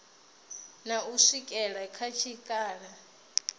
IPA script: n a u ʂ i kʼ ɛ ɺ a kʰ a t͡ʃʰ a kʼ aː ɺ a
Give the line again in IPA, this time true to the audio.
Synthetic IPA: n a u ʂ i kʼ ɛ ɺ a kʰ a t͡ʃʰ i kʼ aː ɺ a